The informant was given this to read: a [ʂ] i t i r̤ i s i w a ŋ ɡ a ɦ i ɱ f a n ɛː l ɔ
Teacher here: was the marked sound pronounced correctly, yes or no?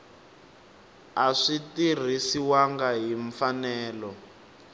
yes